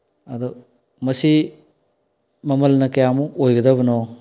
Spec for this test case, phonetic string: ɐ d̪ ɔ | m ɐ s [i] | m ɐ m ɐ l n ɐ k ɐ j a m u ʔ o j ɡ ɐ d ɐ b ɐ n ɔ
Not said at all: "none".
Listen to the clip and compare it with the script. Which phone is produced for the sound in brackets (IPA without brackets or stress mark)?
i